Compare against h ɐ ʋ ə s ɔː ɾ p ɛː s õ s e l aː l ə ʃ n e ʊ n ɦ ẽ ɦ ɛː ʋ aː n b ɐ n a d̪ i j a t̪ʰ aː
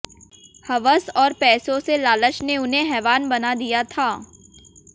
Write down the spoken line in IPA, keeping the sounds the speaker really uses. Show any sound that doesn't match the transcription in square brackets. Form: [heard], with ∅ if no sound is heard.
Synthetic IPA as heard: h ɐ ʋ ə s ɔː ɾ p ɛː s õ s e l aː l ə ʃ n e ʊ n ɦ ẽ ɦ ɛː ʋ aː n b ɐ n a d̪ i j a t̪ʰ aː